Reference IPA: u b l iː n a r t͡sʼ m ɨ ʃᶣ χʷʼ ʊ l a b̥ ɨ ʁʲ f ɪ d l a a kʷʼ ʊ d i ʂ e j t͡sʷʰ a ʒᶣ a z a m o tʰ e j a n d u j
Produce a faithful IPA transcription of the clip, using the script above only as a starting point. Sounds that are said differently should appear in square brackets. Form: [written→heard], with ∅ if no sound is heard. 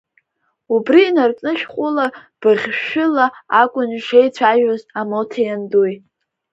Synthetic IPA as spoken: u b [l→r] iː n a r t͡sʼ [m→n] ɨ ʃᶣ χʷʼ ʊ l a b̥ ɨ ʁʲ [f→ʃ] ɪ [d→∅] l a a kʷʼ ʊ [d→n] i ʂ e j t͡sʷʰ a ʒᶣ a z a m o tʰ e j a n d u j